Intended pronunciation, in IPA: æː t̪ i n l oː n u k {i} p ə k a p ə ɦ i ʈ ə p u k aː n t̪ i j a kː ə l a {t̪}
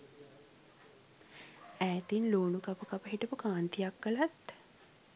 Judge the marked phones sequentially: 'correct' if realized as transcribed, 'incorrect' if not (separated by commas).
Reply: incorrect, correct